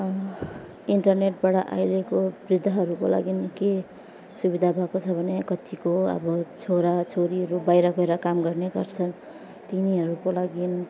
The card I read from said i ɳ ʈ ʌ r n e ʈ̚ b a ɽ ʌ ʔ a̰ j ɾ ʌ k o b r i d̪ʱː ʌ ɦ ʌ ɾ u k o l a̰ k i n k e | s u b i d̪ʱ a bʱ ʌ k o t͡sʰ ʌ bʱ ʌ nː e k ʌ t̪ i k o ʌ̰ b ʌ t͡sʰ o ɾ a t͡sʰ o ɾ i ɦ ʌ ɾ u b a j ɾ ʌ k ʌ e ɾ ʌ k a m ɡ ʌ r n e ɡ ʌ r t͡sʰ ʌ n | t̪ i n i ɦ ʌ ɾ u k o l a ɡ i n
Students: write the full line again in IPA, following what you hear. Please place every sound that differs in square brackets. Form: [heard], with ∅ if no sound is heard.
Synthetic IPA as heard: i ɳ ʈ ʌ r n e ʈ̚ b a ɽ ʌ ʔ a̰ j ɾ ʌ k o b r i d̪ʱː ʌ ɦ ʌ ɾ u k o l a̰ [ɡ] i n k e | s u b i d̪ʱ a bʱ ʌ k o t͡sʰ ʌ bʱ ʌ [n] e k ʌ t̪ i k o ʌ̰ b ʌ t͡sʰ o ɾ a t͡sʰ o ɾ i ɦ ʌ ɾ u b a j ɾ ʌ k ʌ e ɾ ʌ k a m ɡ ʌ r n e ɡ ʌ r t͡sʰ ʌ n | t̪ i n i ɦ ʌ ɾ u k o l a ɡ i n

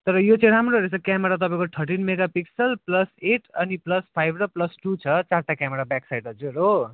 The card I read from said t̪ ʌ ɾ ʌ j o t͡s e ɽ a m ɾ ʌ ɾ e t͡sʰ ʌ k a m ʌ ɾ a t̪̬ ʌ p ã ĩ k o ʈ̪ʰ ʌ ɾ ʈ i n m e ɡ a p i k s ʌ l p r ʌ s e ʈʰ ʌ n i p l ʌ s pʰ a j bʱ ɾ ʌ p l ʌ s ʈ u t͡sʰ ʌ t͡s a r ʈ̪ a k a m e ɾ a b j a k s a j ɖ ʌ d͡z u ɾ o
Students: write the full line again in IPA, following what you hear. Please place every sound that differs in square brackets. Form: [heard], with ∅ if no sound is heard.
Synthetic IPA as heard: t̪ ʌ ɾ ʌ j o t͡s e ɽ a m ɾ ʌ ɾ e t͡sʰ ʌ k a m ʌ ɾ a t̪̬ ʌ p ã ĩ k o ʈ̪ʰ ʌ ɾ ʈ i n m e ɡ a p i k s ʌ l p [l] ʌ s e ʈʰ ʌ n i p l ʌ s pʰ a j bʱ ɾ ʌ p l ʌ s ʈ u t͡sʰ ʌ t͡s a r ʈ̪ a k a m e ɾ a b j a k s a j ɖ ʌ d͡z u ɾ o

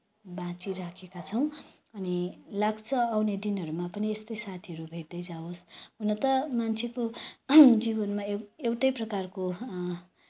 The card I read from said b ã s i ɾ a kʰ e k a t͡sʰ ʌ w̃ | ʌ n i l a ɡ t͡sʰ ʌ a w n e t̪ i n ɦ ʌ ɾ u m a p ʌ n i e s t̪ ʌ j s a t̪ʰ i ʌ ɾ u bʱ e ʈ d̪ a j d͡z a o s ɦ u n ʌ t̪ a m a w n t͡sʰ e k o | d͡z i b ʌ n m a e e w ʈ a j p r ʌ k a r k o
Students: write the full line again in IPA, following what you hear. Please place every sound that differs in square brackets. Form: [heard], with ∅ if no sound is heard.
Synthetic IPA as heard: b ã [t͡s] i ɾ a kʰ e k a t͡sʰ ʌ w̃ | ʌ n i l a ɡ t͡sʰ ʌ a w n e [d̪] i n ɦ ʌ ɾ u m a p ʌ n i e s t̪ ʌ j s a t̪ʰ i ʌ ɾ u bʱ e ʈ d̪ [ʌ] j d͡z a o s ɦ u n ʌ t̪ [ʌ] m a [∅] n t͡sʰ e k o | d͡z i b ʌ n m a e e w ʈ [ʌ] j p r ʌ k a r k o

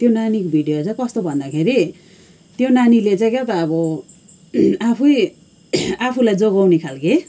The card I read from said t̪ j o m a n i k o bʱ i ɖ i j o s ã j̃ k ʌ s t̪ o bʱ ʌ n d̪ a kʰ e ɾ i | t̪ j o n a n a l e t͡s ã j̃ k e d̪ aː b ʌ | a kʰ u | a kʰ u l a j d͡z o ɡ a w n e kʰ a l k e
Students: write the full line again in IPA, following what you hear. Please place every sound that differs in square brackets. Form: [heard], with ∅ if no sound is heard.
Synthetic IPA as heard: t̪ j o [n] a n i k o bʱ i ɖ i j o [t͡s] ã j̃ k ʌ s t̪ o bʱ ʌ n d̪ a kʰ e ɾ i | t̪ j o n a n [i] l e t͡s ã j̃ k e [t̪] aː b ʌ | a [pʰ] u | a [pʰ] u l a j d͡z o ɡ a w n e kʰ a l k e

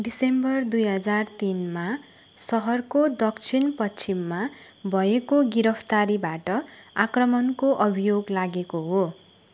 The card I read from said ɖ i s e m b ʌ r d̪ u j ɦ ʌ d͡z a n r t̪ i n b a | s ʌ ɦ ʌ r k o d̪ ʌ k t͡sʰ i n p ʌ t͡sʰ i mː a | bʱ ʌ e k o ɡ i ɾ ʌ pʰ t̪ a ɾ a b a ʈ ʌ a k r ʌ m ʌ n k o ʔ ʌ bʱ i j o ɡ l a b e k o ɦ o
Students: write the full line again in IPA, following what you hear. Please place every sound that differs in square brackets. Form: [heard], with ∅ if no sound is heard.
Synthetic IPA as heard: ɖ i s e m b ʌ r d̪ u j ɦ ʌ d͡z a [∅] r t̪ i n [m] a | s ʌ ɦ ʌ r k o d̪ ʌ k t͡sʰ i n p ʌ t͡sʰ i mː a | bʱ ʌ e k o ɡ i ɾ ʌ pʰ t̪ a ɾ [i] b a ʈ ʌ a k r ʌ m ʌ n k o ʔ ʌ bʱ i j o ɡ l a [ɡ] e k o ɦ o

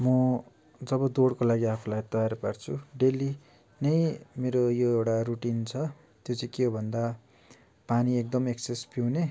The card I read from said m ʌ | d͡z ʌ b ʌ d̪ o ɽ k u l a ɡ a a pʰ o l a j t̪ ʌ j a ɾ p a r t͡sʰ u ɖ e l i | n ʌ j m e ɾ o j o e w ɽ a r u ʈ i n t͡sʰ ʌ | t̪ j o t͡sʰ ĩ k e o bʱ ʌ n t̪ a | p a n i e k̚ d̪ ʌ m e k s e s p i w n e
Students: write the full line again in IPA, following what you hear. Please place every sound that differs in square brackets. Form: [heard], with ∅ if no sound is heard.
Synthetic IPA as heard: m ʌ | d͡z ʌ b ʌ d̪ o ɽ k [o] l a ɡ [i] a pʰ [u] l a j t̪ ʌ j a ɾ p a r t͡sʰ u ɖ e l i | n ʌ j m e ɾ o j o e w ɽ a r u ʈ i n t͡sʰ ʌ | t̪ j o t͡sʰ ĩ k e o bʱ ʌ n [d̪] a | p a n i e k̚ d̪ ʌ m e k s e s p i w n e

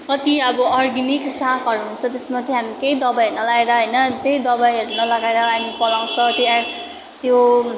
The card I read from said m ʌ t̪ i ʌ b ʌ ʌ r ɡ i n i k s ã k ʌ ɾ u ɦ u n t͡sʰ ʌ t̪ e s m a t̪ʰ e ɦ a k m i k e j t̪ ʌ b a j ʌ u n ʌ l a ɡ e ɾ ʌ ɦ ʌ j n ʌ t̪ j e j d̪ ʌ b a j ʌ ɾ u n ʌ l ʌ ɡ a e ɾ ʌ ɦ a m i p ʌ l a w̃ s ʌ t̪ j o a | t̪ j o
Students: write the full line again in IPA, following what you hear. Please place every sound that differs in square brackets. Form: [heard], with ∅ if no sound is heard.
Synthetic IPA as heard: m ʌ t̪ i ʌ b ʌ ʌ r ɡ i n i k s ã k ʌ ɾ u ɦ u n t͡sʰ ʌ t̪ e s m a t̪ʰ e ɦ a [∅] m i k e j [d̪] ʌ b a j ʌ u n ʌ l a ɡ e ɾ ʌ ɦ ʌ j n ʌ t̪ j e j d̪ ʌ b a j ʌ ɾ u n ʌ l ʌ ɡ a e ɾ ʌ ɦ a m i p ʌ l a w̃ s ʌ t̪ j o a | t̪ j o

